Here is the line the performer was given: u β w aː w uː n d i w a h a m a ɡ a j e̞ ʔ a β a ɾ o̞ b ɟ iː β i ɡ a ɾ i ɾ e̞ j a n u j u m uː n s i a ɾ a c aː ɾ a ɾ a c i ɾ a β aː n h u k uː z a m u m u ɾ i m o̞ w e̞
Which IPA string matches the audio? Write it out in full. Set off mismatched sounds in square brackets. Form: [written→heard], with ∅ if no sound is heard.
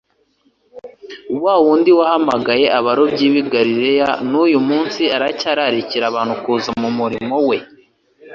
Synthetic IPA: u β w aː w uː n d i w a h a m a ɡ a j e̞ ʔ a β a ɾ o̞ b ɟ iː β i ɡ a ɾ i ɾ e̞ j a n u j u m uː n s i a ɾ a c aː ɾ a ɾ [a→i] c i ɾ a β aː n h u k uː z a m u m u ɾ i m o̞ w e̞

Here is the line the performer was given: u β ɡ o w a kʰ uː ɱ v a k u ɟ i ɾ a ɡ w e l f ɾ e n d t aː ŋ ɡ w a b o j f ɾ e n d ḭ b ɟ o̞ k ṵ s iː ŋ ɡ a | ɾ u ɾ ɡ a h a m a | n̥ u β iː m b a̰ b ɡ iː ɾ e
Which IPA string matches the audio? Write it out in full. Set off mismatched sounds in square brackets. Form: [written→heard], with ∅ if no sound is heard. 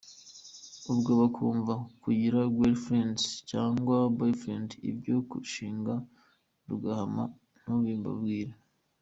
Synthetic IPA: u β ɡ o [w→β] a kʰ uː ɱ v a k u ɟ i ɾ a ɡ w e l f ɾ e n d [t→c] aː ŋ ɡ w a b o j f ɾ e n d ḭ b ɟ o̞ k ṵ [s→ʃ] iː ŋ ɡ a | ɾ u [ɾ→∅] ɡ a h a m a | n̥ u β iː m b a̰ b ɡ iː ɾ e

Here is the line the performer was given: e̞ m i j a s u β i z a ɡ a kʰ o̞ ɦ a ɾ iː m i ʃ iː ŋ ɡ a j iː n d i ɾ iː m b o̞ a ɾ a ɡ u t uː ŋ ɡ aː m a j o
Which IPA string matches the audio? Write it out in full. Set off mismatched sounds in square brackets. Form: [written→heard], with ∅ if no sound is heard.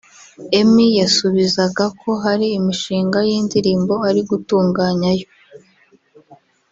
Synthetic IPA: e̞ m i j a s u β i z a ɡ a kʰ o̞ ɦ a ɾ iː m i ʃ iː ŋ ɡ a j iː n d i ɾ iː m b o̞ a ɾ [a→i] ɡ u t uː ŋ ɡ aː [m→ɲ] a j o

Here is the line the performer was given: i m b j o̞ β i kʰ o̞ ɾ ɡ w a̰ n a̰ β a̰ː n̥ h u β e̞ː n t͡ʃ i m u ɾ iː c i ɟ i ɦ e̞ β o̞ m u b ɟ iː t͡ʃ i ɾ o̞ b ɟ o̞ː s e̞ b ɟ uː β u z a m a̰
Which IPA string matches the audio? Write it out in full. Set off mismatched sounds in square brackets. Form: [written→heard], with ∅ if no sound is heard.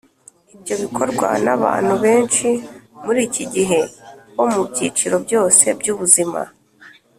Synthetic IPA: i [m→∅] b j o̞ β i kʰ o̞ ɾ ɡ w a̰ n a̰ β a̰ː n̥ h u β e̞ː n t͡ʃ i m u ɾ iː c i ɟ i ɦ e̞ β o̞ m u b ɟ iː t͡ʃ i ɾ o̞ b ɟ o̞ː s e̞ b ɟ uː β u z [a→i] m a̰

